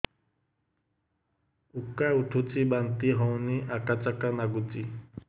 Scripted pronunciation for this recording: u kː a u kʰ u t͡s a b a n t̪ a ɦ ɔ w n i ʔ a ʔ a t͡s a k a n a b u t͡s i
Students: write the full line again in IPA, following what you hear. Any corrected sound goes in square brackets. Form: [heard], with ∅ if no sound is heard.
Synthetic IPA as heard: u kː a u [ʈʰ] u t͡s [i] b a n t̪ [i] ɦ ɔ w n i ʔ a [k] a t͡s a k a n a [ɡ] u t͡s i